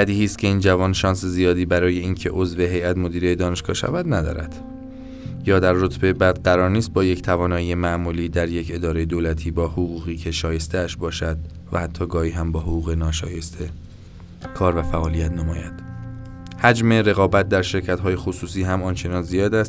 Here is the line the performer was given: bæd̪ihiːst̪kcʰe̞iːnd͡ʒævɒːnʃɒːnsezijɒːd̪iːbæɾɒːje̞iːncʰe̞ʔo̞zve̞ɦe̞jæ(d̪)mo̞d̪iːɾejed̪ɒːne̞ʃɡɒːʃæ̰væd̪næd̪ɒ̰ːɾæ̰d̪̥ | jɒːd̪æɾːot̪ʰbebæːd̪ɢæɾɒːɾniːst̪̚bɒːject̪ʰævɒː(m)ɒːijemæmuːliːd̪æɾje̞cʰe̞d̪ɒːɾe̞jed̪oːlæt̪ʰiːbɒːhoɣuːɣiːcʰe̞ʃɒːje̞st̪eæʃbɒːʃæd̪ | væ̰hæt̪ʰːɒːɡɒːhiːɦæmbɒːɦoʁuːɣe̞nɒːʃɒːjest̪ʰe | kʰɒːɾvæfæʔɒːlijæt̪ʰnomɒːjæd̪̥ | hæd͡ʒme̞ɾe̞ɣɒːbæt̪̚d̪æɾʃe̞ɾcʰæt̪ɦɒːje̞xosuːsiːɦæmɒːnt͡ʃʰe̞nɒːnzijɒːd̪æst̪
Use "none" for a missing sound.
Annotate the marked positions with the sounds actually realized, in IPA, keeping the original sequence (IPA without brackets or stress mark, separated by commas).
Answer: t̪, n